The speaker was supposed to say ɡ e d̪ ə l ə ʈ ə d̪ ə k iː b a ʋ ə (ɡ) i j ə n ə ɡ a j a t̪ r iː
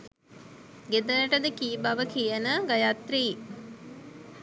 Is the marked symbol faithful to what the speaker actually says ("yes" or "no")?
no